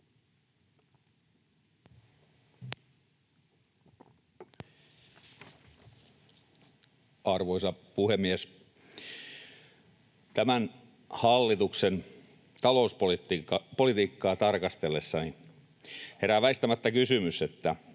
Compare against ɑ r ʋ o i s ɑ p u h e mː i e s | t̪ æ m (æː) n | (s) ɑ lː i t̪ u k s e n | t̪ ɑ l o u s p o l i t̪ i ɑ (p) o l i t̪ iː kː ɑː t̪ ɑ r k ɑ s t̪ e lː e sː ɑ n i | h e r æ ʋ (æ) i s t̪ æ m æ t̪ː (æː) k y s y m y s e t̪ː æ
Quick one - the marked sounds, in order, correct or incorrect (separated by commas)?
incorrect, incorrect, correct, correct, incorrect